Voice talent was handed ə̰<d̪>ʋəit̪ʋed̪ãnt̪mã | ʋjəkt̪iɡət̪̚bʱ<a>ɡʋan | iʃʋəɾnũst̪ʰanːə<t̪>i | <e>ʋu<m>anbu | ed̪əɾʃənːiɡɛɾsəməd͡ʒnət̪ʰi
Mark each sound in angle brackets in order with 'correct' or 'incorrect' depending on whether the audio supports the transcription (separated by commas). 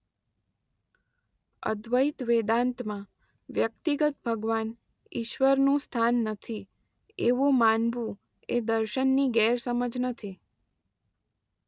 correct, incorrect, incorrect, correct, correct